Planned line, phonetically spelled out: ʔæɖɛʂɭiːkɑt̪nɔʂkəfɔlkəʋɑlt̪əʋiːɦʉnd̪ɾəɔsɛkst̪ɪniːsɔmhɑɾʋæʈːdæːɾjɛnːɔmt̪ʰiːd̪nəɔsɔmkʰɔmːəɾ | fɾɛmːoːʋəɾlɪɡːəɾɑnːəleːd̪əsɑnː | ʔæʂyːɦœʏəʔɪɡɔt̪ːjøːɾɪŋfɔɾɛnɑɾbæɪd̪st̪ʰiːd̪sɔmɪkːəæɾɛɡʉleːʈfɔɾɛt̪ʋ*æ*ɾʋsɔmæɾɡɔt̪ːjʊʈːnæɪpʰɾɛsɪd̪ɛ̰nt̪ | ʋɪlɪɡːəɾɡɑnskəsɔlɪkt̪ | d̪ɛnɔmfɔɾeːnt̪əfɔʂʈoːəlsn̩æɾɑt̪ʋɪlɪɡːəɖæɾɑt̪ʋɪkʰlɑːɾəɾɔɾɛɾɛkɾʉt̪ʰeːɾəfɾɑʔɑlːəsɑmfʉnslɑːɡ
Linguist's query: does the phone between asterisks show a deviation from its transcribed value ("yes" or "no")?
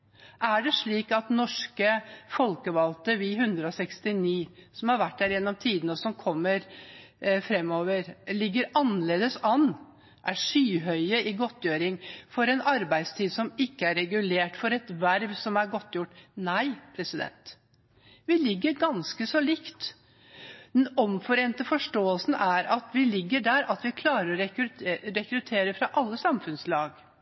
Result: no